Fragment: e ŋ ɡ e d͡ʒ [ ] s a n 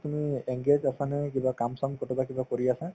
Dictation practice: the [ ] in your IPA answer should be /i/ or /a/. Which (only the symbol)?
a